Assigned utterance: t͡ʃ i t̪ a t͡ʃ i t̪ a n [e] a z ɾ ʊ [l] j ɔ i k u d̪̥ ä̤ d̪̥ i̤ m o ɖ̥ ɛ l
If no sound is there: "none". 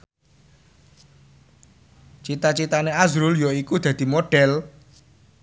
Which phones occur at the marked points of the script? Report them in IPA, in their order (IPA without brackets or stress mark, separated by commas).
e, l